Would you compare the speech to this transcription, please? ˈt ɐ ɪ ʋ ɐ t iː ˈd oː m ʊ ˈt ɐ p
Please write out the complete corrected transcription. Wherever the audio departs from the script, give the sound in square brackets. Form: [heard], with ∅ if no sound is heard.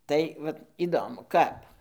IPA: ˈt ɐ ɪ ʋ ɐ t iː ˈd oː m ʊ [ˈk] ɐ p